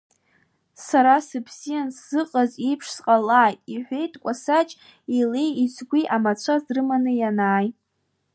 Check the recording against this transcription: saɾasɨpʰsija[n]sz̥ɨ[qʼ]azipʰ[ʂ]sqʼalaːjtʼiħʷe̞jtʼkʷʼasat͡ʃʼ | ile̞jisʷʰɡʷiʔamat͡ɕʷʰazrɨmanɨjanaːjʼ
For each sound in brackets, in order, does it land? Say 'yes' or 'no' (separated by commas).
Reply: yes, yes, yes